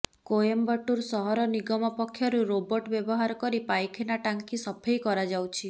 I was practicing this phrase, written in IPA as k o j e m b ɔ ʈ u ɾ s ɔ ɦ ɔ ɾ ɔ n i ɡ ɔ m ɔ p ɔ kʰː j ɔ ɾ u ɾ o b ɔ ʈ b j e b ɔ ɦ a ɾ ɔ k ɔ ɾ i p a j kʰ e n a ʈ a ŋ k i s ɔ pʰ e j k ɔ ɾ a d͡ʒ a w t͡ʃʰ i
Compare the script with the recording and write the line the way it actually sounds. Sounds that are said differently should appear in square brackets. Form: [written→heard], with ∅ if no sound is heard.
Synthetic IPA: k o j e m b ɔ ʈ u ɾ s ɔ ɦ ɔ ɾ ɔ n i ɡ ɔ m ɔ p ɔ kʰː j ɔ ɾ u ɾ o b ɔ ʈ b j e b ɔ ɦ a ɾ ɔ k ɔ ɾ i p a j kʰ e n a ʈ a ŋ k i s ɔ pʰ e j k ɔ ɾ a d͡ʒ a w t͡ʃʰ i